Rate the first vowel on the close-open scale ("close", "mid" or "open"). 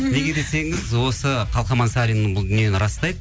mid